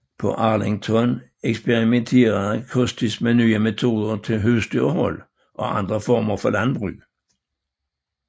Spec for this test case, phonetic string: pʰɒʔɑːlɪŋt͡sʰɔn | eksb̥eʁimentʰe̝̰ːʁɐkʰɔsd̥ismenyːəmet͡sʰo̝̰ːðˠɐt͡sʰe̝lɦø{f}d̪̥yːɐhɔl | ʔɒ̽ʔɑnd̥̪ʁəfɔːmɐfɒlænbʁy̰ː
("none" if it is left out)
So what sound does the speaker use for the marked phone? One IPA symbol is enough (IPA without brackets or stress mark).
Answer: s